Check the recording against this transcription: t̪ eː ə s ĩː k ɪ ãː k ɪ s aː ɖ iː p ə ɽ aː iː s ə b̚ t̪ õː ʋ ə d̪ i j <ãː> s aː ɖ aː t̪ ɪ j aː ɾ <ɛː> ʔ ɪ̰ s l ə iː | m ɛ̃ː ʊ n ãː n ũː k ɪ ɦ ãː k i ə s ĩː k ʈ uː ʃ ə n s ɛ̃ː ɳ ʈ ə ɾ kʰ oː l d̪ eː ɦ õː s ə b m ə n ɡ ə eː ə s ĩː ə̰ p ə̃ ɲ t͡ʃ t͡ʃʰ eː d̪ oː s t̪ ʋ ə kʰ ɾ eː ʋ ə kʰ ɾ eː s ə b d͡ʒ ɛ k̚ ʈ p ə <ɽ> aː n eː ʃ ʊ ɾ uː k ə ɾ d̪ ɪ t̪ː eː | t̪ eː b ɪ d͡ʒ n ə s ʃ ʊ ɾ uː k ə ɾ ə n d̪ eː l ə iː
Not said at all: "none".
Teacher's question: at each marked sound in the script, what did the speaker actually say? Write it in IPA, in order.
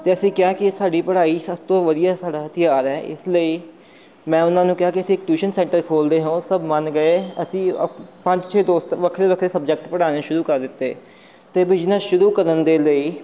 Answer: aː, ɛː, ɽ

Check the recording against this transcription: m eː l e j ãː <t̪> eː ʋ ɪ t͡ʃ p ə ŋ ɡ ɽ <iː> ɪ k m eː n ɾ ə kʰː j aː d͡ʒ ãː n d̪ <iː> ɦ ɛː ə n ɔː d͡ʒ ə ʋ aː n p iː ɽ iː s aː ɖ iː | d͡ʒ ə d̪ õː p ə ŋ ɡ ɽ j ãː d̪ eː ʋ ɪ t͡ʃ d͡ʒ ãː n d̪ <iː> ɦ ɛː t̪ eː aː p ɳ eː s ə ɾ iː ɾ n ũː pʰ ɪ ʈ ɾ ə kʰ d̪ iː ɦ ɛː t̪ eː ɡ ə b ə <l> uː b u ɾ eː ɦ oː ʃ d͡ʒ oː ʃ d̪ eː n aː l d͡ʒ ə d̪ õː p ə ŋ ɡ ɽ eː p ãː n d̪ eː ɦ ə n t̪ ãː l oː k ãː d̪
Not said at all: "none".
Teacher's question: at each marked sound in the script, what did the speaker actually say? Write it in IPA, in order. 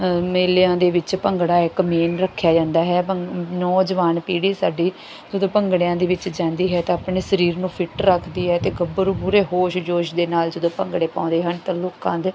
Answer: d̪, aː, aː, iː, ɾ

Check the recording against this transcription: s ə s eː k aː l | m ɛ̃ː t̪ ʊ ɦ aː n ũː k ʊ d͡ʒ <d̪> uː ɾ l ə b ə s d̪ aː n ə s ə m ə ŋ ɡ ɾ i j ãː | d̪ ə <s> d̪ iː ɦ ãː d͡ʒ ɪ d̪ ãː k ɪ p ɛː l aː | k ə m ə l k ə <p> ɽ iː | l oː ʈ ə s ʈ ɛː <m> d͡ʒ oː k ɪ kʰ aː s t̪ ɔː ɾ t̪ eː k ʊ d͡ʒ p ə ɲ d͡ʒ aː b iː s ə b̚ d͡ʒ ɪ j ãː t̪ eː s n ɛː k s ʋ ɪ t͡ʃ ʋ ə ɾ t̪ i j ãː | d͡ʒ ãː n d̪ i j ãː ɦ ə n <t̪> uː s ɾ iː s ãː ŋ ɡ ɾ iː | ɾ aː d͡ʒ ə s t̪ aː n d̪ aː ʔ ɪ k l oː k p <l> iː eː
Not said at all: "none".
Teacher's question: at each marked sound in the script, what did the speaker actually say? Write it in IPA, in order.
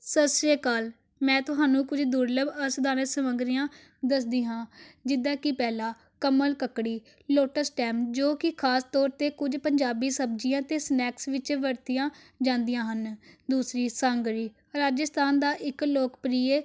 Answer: d̪, s, k, m, d̪, ɾ

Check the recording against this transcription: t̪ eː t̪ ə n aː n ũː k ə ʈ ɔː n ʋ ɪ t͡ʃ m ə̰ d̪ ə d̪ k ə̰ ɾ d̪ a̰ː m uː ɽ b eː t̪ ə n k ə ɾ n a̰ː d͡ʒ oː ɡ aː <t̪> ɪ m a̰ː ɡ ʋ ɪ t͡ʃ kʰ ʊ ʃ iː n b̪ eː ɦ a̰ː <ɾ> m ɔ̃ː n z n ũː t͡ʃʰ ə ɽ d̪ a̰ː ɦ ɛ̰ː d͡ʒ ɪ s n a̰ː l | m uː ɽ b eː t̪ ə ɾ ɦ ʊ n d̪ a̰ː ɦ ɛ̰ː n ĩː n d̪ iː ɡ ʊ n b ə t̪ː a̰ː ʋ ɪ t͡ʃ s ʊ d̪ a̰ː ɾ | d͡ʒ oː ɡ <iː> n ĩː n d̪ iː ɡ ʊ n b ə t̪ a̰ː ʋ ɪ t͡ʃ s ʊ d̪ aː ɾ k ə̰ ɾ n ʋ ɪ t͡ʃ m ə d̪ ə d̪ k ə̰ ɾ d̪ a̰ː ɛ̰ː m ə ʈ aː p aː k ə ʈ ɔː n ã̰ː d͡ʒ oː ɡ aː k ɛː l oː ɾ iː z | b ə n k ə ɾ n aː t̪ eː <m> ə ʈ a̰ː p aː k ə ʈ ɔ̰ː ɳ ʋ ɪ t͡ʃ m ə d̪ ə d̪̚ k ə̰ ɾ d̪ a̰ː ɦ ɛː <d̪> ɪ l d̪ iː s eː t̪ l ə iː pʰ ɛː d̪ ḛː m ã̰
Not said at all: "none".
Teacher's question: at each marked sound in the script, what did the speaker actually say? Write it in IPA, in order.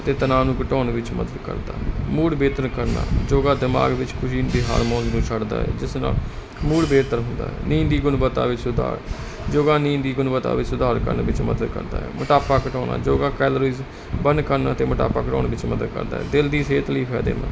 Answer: d̪, ɾ, aː, m, d̪

